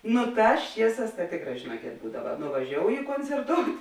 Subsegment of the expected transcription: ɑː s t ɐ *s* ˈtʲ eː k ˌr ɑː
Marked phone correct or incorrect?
incorrect